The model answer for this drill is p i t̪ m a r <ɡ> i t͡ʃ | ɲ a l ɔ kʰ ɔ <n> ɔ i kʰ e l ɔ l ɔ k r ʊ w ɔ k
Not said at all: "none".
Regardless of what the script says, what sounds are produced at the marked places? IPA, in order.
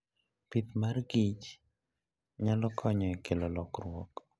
ɡ, ɲ

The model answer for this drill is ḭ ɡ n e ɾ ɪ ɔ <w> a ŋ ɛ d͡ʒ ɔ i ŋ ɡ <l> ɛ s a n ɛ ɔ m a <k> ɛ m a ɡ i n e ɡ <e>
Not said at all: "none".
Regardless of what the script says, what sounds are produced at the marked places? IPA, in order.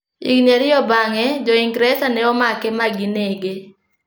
b, ɾ, k, e

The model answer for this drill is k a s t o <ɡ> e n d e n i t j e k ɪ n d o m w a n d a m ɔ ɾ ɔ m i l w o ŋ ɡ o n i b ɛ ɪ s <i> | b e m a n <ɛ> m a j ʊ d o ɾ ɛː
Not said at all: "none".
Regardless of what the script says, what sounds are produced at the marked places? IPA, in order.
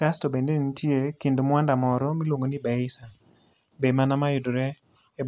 b, a, a

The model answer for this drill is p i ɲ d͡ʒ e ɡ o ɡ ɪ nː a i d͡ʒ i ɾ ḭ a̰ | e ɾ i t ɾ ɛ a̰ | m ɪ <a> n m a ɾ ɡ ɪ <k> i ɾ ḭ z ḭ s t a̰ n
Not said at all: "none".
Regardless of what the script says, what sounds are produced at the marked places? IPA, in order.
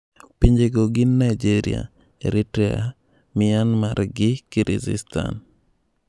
a, k

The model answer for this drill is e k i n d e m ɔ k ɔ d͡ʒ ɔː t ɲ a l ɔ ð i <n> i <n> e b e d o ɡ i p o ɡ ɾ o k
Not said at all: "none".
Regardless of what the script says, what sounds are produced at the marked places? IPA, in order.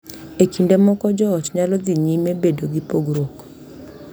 ɲ, m

